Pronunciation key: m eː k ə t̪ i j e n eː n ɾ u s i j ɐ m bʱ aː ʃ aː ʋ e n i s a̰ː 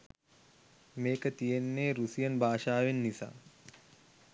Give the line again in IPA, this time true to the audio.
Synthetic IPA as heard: m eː k ə t̪ i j e nː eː ɾ u s i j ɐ n bʱ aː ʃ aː ʋ e nː i s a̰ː